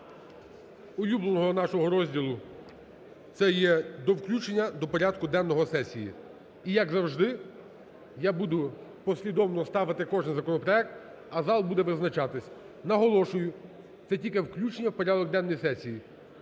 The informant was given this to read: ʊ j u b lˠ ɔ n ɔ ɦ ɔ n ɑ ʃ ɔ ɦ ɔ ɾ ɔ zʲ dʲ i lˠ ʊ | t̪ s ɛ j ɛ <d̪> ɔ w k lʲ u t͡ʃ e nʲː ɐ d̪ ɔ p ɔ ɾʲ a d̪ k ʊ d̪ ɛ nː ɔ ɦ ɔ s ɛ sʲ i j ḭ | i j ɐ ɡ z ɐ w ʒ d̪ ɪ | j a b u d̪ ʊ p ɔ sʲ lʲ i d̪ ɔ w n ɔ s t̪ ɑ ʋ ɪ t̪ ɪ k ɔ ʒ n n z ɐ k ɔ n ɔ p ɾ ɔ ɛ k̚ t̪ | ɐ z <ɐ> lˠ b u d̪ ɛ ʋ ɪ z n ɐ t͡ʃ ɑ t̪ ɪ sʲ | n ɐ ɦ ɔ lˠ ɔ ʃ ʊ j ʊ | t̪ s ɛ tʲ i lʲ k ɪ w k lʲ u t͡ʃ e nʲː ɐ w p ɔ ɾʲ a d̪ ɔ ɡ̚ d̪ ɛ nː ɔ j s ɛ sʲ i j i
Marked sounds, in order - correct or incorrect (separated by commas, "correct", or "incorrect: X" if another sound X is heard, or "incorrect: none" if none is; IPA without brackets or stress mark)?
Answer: correct, incorrect: ɑ